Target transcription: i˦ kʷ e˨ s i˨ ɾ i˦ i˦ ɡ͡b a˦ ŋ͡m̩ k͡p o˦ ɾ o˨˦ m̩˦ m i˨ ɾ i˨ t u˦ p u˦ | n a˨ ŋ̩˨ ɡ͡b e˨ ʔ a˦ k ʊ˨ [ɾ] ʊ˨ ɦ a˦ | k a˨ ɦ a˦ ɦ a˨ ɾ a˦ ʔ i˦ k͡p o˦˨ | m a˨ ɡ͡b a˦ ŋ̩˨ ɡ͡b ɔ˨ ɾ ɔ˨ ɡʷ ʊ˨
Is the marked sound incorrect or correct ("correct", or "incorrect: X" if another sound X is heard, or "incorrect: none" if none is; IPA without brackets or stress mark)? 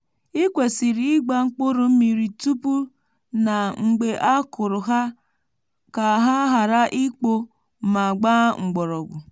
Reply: correct